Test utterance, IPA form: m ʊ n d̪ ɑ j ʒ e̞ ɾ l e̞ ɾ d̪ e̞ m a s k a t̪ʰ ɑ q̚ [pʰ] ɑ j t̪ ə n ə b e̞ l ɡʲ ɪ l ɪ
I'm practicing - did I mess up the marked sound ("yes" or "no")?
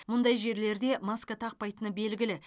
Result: yes